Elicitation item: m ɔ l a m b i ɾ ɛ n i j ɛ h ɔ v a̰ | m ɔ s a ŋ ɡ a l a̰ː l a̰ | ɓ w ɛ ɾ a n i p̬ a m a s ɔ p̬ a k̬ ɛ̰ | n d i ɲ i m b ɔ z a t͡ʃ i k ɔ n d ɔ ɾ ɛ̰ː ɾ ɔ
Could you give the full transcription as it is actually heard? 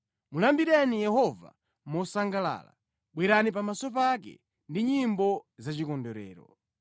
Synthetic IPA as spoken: m u l a m b i ɾ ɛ n i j ɛ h ɔ v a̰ | m ɔ s a ŋ ɡ a l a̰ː l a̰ | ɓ w ɛ ɾ a n i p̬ a m a s ɔ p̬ a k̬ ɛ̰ | n d i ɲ i m b ɔ z a t͡ʃ i k ɔ n d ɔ ɾ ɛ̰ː ɾ ɔ